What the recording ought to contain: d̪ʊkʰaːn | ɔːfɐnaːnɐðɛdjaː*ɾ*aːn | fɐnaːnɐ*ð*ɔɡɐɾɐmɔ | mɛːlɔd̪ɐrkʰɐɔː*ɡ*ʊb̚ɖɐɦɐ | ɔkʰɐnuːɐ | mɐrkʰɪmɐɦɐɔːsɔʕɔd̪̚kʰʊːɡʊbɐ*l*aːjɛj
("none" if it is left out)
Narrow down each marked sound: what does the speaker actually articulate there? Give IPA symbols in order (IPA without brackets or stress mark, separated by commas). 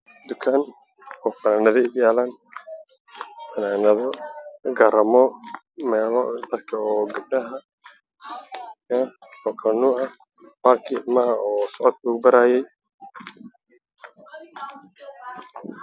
l, ð, ɡ, ɾ